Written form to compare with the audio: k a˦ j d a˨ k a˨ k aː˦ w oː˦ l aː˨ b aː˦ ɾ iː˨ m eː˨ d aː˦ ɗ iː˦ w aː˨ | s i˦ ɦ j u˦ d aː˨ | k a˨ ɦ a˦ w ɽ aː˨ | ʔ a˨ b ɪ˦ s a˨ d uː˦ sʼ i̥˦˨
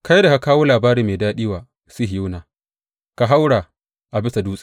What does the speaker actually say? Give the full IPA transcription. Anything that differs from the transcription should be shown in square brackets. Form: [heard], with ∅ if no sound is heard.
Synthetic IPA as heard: k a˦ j d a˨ k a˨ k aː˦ w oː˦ l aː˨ b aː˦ ɾ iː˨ m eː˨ d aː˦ ɗ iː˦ w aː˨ | s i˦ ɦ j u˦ [n] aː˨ | k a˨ ɦ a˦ w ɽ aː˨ | ʔ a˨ b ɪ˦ s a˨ d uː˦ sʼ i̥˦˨